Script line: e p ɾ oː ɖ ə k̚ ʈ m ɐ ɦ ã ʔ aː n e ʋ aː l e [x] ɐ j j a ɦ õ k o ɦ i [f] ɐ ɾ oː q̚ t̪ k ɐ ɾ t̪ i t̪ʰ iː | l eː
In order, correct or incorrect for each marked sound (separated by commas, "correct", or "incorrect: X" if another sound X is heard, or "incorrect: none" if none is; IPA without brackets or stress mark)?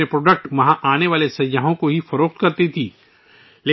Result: incorrect: s, correct